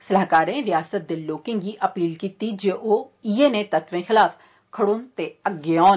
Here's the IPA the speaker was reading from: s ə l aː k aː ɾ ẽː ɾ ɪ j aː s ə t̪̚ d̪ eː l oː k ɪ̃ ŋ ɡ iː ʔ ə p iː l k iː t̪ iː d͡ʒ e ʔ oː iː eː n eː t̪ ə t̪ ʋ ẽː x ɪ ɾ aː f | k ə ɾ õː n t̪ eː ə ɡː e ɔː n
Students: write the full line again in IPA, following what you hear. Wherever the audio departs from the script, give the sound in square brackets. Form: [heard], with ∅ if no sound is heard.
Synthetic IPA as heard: s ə l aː k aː ɾ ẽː ɾ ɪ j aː s ə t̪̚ d̪ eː l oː k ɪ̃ ŋ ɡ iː ʔ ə p iː l k iː t̪ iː d͡ʒ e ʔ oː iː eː n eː t̪ ə t̪ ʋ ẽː x ɪ [l] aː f | [kʰ] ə [ɽ] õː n t̪ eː ə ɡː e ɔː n